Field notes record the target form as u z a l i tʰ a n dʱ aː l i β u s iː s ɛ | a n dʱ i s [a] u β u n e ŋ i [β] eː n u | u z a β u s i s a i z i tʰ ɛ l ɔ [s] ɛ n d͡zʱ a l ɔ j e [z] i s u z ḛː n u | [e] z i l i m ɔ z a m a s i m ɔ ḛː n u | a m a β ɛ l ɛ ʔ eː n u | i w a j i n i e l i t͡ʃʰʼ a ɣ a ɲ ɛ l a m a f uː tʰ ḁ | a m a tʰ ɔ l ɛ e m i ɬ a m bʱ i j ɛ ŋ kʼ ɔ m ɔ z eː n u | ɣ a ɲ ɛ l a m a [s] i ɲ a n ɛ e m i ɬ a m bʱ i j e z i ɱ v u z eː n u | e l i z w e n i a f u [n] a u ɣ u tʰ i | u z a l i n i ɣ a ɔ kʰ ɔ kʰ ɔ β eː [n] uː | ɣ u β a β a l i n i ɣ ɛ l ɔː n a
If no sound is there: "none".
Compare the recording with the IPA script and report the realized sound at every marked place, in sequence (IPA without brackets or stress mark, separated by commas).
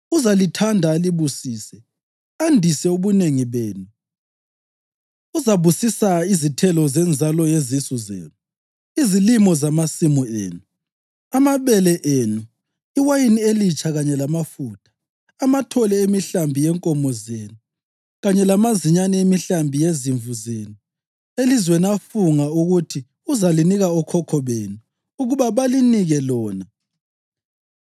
ɛ, β, z, z, i, z, ŋ, n